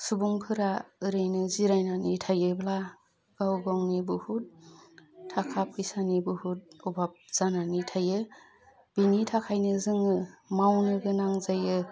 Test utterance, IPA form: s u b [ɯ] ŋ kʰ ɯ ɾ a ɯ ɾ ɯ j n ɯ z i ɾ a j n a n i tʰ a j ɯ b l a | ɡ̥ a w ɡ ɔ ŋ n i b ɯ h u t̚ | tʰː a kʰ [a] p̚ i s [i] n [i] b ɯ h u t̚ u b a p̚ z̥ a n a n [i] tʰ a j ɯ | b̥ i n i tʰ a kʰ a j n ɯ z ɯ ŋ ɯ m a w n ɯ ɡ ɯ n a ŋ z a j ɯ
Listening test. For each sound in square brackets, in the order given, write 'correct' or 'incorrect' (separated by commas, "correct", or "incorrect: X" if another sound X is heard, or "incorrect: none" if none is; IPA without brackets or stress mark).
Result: incorrect: u, correct, incorrect: a, correct, correct